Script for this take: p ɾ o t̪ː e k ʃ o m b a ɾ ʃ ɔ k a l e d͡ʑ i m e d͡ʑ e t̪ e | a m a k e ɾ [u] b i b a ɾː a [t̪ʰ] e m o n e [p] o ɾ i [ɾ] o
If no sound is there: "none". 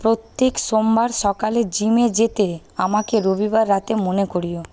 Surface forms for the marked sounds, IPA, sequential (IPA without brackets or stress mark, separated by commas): o, t̪, k, none